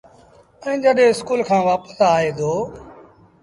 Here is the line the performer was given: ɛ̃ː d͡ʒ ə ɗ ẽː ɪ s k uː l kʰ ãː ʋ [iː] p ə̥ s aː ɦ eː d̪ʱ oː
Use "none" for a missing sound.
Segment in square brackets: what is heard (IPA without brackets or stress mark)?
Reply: aː